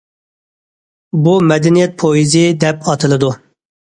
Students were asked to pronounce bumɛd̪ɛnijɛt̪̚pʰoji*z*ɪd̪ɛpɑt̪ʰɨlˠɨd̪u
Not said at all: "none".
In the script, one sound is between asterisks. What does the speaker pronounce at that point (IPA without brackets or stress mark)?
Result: z